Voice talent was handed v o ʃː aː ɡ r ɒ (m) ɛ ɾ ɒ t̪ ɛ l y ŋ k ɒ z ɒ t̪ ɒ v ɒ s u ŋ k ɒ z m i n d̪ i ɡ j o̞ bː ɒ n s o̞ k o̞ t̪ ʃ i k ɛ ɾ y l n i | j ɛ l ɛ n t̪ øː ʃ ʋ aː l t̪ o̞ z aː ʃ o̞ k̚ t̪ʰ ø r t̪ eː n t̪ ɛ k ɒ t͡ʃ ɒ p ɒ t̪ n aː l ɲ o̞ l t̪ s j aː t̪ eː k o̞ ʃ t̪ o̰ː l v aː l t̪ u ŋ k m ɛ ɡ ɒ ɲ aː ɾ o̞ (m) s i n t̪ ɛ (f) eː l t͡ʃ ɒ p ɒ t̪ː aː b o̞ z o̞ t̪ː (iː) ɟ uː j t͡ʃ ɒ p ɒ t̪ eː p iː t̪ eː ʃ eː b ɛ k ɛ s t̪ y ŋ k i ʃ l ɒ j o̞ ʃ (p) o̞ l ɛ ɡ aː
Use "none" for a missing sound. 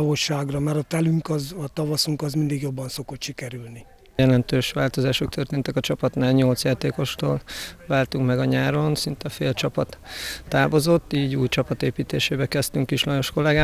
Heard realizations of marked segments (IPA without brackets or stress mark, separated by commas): m, n, f, iː, k